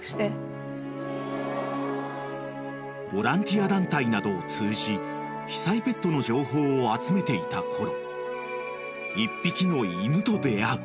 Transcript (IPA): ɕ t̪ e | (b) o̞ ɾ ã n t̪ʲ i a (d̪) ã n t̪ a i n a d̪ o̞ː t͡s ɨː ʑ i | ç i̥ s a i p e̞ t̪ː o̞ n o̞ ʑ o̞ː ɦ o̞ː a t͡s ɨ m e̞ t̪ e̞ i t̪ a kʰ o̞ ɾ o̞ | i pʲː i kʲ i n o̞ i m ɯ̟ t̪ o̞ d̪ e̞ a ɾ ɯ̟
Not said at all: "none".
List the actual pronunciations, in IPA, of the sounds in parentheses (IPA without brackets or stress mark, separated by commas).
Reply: b, d̪